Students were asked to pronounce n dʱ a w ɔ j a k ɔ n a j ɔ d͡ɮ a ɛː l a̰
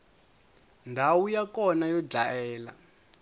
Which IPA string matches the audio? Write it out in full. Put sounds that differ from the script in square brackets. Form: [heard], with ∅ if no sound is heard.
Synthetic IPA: n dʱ a w [u] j a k ɔ n a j ɔ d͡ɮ a ɛː l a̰